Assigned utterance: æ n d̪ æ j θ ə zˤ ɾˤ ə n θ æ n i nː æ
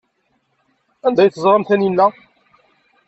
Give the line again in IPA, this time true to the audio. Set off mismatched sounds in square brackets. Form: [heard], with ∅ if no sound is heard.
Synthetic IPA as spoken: æ n d̪ æ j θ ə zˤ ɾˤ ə [m] θ æ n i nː æ

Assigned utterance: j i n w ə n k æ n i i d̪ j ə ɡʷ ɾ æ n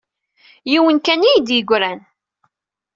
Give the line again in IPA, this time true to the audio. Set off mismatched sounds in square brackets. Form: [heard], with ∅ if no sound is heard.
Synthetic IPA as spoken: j i [∅] w ə n k æ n i [j] d̪ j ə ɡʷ ɾ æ n

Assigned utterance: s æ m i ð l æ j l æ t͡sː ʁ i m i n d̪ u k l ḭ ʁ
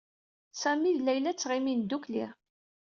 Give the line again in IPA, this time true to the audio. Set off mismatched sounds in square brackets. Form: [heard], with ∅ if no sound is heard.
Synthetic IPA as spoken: s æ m i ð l æ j l æ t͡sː ʁ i m i n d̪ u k l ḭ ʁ

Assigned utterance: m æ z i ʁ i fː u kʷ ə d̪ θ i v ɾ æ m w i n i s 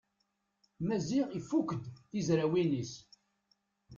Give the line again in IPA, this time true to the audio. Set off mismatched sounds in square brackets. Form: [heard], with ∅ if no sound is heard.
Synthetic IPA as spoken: m æ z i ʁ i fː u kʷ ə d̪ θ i [z] ɾ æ [∅] w i n i s

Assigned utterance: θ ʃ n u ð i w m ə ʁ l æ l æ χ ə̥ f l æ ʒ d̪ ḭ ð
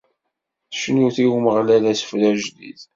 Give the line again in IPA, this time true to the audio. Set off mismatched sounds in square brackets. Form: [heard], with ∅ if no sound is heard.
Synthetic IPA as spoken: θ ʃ n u [θ] i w m ə ʁ l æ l æ [s] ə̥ f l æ ʒ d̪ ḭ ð

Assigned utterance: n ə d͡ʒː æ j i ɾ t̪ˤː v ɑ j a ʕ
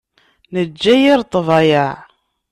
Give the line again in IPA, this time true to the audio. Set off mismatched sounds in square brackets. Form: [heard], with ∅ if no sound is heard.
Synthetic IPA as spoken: n ə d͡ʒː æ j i ɾ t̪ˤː v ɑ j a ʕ

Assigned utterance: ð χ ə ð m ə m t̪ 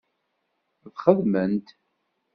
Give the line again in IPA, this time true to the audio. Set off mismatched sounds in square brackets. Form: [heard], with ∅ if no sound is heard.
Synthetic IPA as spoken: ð χ ə ð m ə [n] t̪

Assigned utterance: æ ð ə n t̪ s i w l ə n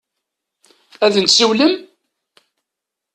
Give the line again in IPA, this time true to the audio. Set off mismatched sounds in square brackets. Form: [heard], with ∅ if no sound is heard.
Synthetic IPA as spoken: æ ð ə n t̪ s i w l ə [m]

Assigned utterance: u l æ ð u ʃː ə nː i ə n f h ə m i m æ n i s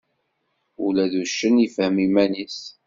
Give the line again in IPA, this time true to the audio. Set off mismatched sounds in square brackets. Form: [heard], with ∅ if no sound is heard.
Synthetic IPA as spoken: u l æ ð u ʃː ə [n] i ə [∅] f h ə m i m æ n i s

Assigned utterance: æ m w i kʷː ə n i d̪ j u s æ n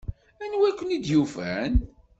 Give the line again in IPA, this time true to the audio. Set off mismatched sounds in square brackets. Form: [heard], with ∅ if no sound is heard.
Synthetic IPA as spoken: æ [n] w [æ] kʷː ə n i d̪ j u [f] æ n

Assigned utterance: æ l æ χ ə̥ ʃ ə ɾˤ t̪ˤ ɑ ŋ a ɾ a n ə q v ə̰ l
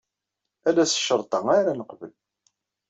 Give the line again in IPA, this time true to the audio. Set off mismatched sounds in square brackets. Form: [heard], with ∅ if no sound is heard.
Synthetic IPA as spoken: æ l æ [s] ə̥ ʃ ə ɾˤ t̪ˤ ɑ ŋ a ɾ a n ə q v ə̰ l

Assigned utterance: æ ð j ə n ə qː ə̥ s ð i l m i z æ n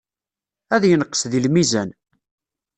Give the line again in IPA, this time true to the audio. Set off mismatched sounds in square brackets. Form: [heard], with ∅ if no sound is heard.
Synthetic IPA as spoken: æ ð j ə n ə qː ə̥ s ð i l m i z æ n

